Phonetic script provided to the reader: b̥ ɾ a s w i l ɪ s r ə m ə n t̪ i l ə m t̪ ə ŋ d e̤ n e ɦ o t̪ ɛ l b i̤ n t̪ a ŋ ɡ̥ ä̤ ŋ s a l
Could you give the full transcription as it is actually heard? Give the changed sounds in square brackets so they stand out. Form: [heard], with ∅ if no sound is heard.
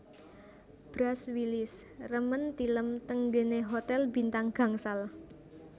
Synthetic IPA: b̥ ɾ a s w i l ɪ s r ə m ə n t̪ i l ə m t̪ ə ŋ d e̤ n e ɦ o t̪ ɛ l b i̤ n t̪ a ŋ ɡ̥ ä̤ ŋ s a l

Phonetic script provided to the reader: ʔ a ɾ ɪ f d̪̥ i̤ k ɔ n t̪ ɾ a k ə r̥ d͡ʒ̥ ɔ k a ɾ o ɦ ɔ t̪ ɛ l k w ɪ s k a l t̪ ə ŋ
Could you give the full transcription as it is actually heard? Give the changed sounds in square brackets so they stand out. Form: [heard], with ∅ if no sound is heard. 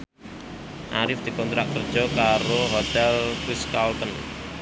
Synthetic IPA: ʔ a ɾ ɪ f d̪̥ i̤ k ɔ n t̪ ɾ a k ə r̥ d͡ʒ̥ ɔ k a ɾ o ɦ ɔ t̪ ɛ l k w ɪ s k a l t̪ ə [n]

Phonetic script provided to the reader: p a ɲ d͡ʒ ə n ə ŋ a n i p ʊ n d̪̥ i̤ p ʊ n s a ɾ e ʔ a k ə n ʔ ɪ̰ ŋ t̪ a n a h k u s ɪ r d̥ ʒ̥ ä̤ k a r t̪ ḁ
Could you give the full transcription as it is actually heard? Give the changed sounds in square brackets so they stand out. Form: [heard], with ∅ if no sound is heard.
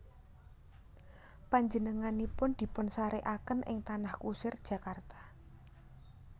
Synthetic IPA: p a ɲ d͡ʒ ə n ə ŋ a n i p ʊ n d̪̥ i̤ p ʊ n s a ɾ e ʔ a k ə n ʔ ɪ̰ ŋ t̪ a n a h k u s ɪ r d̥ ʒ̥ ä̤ k a r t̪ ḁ

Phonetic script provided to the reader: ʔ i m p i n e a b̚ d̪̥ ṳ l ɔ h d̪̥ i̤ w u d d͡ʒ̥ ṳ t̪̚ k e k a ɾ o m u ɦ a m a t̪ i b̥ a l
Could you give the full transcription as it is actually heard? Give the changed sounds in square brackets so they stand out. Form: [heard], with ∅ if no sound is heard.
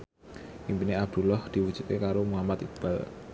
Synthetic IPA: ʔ i m p i n e a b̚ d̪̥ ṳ l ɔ h d̪̥ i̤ w u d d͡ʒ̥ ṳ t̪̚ k e k a ɾ o m u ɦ a m a t̪ i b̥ a l

